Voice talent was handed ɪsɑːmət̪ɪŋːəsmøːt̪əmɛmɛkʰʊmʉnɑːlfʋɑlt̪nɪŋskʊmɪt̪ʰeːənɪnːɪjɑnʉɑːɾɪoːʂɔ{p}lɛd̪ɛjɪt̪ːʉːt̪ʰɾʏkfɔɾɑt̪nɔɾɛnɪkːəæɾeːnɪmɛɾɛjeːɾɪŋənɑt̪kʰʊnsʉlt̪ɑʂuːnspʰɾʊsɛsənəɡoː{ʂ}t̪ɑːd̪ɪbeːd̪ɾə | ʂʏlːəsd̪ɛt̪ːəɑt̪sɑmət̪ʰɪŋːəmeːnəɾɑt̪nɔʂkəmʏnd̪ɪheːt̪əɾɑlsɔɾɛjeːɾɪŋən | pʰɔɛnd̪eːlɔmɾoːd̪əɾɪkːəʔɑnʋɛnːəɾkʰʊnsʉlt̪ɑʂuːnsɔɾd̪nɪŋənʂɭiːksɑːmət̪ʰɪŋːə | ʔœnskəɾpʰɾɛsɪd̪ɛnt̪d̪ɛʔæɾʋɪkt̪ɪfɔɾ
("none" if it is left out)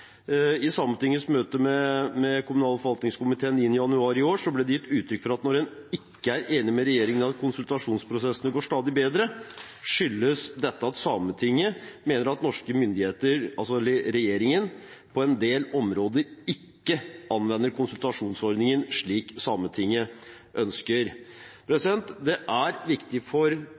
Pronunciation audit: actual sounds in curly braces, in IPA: b, ʂ

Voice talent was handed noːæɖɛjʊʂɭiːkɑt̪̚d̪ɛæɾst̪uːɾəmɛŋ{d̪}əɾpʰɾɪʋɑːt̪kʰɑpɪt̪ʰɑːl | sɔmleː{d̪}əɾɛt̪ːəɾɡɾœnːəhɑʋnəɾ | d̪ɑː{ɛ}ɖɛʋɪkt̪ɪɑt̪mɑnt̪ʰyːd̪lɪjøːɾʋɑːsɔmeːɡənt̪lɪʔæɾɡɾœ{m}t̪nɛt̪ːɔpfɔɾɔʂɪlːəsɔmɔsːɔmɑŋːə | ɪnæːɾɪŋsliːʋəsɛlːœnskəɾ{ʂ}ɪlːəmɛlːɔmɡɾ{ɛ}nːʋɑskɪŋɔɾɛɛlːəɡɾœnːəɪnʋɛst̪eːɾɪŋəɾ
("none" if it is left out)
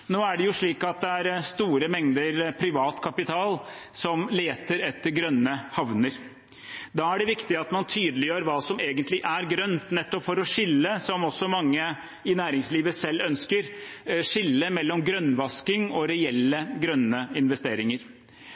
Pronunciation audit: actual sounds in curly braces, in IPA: d̪, t̪, æ, n, ʂ, œ

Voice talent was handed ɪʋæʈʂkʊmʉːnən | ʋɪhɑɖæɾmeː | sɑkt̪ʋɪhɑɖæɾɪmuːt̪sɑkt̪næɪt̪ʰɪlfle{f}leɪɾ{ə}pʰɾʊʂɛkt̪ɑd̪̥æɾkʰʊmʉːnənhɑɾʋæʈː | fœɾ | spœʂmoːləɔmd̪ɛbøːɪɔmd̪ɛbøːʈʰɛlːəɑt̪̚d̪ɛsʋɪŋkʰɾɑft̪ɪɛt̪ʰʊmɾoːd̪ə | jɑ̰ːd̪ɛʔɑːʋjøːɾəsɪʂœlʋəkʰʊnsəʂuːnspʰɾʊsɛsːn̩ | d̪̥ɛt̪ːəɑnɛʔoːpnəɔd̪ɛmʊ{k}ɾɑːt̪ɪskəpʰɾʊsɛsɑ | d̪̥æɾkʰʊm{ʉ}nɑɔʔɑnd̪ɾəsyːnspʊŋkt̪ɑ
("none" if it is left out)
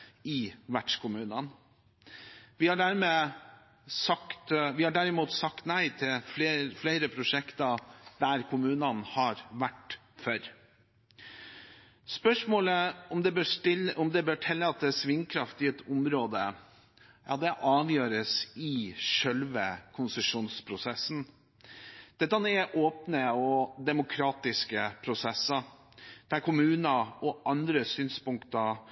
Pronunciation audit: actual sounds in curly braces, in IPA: f, ə, kʰ, ʉː

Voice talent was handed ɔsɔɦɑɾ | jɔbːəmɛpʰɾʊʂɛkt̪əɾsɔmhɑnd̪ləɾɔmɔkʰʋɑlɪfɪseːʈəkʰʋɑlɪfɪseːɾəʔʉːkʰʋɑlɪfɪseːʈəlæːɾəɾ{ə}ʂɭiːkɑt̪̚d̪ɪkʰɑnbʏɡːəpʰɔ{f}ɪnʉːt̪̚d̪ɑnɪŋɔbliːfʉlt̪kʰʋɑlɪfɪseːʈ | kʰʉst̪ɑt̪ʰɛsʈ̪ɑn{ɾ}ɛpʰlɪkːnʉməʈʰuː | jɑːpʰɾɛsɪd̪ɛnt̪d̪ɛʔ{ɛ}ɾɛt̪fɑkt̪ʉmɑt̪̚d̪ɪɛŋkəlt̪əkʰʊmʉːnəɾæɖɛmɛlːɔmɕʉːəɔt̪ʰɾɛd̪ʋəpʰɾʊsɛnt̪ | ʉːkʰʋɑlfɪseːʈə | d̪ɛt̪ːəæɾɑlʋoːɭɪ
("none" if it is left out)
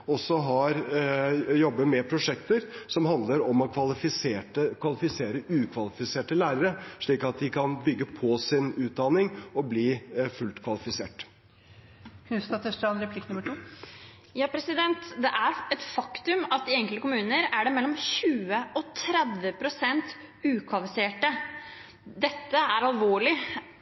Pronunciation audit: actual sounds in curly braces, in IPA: ə, s, ɾ, æ

